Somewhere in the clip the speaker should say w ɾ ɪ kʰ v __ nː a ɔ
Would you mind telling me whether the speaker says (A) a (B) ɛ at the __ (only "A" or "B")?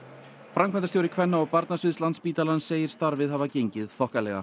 B